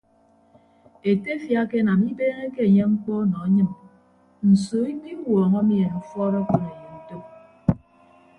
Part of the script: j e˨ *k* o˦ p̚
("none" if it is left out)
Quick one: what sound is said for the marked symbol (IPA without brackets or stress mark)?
t